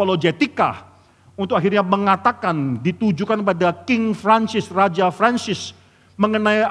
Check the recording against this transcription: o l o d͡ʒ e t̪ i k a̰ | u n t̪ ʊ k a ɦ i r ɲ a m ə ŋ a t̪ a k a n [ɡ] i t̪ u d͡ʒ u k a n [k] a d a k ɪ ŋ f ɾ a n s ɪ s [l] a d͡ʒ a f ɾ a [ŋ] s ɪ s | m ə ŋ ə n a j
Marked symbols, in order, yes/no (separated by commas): no, no, no, no